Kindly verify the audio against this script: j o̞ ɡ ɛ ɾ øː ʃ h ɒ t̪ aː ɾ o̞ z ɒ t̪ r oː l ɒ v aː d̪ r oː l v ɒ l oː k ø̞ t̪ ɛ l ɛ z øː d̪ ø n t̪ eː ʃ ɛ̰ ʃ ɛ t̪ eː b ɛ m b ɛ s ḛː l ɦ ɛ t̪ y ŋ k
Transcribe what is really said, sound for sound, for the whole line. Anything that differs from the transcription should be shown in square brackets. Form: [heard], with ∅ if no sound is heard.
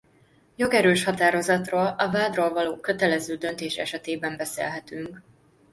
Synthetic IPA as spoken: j o̞ ɡ ɛ ɾ øː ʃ h ɒ t̪ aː ɾ o̞ z ɒ t̪ r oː l ɒ v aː d̪ r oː l v ɒ l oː k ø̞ t̪ ɛ l ɛ z øː d̪ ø n t̪ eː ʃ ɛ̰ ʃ ɛ t̪ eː b ɛ m b ɛ s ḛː l ɦ ɛ t̪ y ŋ k